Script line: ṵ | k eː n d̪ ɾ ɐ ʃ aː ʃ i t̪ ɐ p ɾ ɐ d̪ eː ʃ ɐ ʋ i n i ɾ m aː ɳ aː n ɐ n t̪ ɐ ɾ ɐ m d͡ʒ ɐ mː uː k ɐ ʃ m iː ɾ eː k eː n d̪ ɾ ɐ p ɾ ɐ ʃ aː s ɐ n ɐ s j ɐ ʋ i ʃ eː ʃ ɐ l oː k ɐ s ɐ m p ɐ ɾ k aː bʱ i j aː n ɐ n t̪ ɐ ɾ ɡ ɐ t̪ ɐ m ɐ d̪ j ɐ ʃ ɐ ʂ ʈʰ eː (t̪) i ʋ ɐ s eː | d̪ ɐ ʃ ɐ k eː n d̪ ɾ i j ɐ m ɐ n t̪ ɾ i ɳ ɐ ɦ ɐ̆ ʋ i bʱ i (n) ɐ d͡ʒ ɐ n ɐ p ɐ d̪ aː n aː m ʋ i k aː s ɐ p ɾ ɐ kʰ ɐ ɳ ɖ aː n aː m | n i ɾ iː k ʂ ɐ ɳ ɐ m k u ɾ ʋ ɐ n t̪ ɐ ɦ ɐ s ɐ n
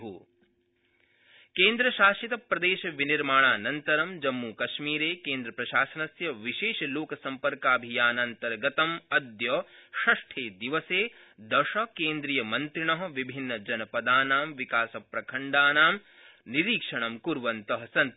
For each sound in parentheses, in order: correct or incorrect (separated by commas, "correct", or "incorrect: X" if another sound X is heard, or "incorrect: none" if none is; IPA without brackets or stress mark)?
incorrect: d̪, incorrect: nː